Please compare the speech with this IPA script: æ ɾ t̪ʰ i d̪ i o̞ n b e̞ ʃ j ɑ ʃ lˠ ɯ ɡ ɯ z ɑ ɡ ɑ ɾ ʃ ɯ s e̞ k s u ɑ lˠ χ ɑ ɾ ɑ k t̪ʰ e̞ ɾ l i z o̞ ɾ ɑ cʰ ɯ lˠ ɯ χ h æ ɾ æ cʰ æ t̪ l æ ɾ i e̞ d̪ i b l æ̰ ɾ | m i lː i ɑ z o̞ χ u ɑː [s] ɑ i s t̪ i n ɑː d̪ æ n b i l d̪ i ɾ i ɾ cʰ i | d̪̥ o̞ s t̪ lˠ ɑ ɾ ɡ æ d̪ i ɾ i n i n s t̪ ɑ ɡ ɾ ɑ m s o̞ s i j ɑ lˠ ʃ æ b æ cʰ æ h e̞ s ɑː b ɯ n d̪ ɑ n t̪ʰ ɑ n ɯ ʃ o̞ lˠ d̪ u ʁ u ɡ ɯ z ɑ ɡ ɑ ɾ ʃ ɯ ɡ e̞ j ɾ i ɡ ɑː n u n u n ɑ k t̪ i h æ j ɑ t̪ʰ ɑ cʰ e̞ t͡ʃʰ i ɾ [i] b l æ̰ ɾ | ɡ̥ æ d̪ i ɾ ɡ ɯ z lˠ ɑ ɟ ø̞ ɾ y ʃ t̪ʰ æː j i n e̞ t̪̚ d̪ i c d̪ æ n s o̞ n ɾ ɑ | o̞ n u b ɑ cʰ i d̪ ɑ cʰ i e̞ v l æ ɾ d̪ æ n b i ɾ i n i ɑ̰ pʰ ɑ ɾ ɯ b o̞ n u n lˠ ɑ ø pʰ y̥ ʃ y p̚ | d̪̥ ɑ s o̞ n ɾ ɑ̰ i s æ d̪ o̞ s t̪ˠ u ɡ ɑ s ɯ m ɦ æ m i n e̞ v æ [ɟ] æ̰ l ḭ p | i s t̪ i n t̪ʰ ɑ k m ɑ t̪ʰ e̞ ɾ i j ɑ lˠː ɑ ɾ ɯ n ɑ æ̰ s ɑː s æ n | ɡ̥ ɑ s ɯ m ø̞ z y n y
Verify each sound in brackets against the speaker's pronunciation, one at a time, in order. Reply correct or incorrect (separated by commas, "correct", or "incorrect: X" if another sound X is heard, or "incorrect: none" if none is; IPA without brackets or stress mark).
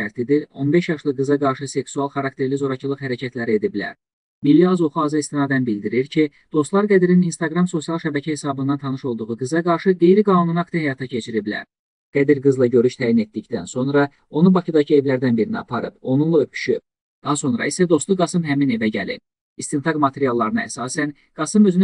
incorrect: z, correct, correct